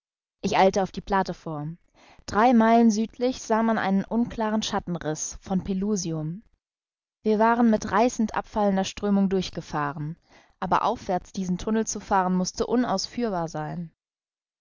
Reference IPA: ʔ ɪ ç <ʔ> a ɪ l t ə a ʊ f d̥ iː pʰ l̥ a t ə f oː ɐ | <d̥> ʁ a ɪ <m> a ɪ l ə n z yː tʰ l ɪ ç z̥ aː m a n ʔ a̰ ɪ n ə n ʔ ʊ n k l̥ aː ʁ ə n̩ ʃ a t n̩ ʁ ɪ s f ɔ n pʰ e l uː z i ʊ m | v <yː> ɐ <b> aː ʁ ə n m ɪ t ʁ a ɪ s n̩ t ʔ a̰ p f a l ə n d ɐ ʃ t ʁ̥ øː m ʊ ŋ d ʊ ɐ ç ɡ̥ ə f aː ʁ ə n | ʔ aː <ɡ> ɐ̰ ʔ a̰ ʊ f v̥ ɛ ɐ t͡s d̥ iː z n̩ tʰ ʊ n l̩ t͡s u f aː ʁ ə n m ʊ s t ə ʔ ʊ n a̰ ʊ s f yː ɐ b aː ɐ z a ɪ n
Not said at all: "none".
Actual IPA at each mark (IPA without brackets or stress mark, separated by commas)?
ʔ, d̥, m, iː, v, b